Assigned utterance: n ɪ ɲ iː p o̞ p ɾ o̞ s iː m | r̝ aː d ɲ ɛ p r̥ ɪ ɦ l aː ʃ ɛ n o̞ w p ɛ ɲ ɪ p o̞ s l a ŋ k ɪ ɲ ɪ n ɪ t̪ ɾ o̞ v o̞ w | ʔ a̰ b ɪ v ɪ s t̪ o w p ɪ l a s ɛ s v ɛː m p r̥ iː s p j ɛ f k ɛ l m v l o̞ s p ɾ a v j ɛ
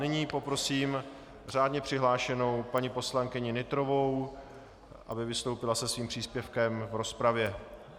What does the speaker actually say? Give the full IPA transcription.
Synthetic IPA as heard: n ɪ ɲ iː p o̞ p ɾ o̞ s iː m | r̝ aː d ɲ ɛ p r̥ ɪ ɦ l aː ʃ ɛ n o̞ w p a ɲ ɪ p o̞ s l a ŋ k ɪ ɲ ɪ n ɪ t̪ ɾ o̞ v o̞ w | ʔ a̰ b ɪ v ɪ s t̪ o w p ɪ l a s ɛ s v iː m p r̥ iː s p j ɛ f k ɛ m v ɾ o̞ s p ɾ a v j ɛ